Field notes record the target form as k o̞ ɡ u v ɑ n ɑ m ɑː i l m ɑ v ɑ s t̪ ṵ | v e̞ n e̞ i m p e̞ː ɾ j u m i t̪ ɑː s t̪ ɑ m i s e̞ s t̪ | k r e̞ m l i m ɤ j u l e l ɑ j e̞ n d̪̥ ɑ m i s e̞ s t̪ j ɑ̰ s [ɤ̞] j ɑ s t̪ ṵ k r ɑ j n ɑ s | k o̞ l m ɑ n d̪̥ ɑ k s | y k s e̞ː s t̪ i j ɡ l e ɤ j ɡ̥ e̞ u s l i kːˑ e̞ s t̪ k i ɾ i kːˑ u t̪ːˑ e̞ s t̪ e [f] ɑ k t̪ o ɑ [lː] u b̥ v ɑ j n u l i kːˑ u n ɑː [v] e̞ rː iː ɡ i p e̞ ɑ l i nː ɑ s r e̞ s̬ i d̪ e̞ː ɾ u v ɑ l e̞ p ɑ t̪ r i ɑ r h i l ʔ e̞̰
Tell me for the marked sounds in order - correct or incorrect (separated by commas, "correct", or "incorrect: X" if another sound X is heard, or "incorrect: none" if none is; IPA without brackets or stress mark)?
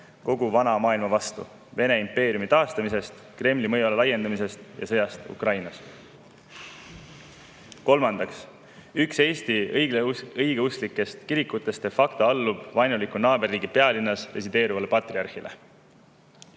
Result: correct, correct, correct, incorrect: b